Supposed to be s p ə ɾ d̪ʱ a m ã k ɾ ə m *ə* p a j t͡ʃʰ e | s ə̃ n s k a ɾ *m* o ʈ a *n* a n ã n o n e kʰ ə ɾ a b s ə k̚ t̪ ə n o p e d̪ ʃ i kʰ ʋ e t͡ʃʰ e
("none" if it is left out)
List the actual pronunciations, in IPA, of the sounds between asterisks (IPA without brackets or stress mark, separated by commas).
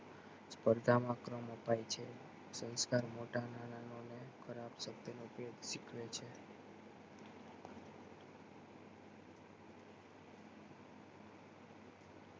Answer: ə, m, n